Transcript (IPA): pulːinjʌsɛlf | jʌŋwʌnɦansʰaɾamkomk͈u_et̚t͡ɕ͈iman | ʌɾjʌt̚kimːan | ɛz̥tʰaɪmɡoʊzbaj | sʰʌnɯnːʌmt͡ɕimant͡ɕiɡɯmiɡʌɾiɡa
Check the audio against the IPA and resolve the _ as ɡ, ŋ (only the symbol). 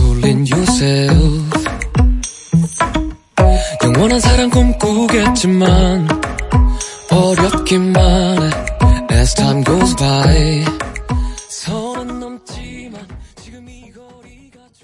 ɡ